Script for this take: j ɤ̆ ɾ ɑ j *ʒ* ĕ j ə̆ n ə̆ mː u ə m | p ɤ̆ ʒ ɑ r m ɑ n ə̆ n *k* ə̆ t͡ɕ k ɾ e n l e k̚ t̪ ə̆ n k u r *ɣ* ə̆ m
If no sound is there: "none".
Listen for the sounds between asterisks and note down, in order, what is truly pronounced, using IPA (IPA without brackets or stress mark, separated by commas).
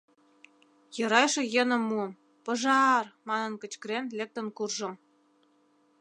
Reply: ʃ, k, ʒ